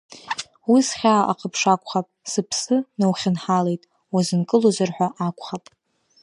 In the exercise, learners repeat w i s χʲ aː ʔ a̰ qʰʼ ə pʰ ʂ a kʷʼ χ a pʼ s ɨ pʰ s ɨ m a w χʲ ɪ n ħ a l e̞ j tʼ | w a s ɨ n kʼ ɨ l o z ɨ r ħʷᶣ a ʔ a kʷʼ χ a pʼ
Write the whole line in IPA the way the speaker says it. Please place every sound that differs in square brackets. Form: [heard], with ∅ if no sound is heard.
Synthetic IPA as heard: w i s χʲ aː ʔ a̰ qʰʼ ə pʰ ʂ a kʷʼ χ a pʼ s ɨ pʰ s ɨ [n] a w χʲ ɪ n ħ a l e̞ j tʼ | w a [z] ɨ n kʼ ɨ l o z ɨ r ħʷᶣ a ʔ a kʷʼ χ a pʼ